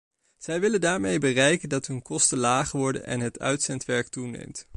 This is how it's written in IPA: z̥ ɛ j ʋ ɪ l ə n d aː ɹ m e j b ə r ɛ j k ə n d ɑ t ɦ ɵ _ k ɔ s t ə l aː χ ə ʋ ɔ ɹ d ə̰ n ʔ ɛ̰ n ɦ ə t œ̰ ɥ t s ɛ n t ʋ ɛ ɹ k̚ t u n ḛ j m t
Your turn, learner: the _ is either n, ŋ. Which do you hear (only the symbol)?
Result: n